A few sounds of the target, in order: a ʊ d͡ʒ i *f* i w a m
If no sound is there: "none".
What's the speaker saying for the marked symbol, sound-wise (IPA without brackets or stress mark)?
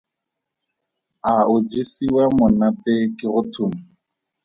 s